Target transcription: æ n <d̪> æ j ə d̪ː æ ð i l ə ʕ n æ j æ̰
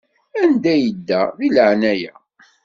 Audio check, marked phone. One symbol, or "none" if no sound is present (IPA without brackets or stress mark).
d̪